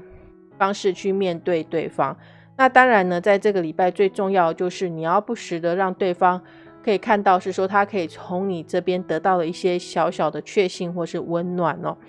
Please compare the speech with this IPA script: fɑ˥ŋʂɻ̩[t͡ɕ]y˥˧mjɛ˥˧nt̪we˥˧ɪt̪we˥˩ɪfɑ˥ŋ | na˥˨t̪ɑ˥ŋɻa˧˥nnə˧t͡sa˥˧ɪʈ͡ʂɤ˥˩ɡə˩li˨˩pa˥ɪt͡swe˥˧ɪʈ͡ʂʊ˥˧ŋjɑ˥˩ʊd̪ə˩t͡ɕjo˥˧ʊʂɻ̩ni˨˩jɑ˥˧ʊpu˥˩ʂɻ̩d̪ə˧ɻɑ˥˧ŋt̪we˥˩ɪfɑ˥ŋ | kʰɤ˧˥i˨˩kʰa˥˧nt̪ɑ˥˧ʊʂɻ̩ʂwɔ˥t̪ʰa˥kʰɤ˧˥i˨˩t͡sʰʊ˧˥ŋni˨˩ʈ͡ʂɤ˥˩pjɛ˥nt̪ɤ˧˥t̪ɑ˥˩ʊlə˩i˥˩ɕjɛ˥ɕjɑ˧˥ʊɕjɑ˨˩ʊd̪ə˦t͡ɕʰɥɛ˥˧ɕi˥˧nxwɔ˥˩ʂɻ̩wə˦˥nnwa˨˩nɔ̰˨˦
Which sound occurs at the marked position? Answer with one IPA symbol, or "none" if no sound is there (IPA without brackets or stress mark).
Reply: t͡ɕʰ